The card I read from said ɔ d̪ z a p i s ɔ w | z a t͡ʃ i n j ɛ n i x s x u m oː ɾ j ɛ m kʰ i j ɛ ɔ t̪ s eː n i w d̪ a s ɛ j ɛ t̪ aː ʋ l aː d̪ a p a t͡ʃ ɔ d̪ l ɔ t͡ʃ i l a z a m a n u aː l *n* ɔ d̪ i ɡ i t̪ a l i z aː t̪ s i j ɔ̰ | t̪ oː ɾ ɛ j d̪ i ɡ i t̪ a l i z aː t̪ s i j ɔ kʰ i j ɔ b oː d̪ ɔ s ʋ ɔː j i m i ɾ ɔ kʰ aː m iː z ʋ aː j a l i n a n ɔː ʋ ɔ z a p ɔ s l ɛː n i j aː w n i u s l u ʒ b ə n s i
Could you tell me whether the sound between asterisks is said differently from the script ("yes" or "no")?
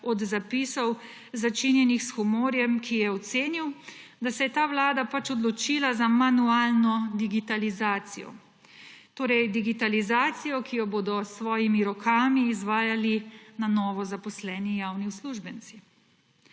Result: no